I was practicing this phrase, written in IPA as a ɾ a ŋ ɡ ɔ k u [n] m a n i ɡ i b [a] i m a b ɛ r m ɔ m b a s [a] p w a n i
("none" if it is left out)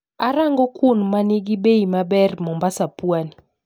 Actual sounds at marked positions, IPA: n, e, a

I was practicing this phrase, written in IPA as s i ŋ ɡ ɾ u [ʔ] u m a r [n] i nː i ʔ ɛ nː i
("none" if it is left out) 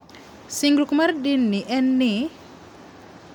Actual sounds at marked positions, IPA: k, d

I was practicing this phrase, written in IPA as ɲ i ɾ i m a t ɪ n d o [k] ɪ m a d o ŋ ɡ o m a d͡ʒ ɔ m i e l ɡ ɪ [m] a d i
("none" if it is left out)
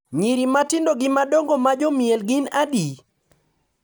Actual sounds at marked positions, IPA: ɡ, n

